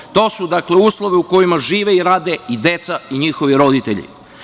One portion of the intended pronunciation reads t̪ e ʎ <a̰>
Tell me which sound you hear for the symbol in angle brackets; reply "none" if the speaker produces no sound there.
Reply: ḭ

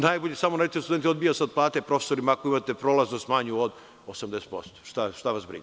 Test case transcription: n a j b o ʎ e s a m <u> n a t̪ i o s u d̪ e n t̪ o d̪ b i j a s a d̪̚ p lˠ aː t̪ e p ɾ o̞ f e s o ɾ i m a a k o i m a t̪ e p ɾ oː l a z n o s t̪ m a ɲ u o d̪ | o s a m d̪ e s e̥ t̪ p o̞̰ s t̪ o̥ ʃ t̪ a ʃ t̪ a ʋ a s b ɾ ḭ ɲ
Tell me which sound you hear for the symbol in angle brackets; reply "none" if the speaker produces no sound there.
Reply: o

